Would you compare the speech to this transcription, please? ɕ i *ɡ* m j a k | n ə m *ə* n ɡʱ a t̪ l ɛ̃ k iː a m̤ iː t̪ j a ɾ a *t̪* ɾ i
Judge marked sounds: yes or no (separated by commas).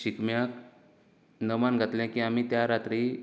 no, no, yes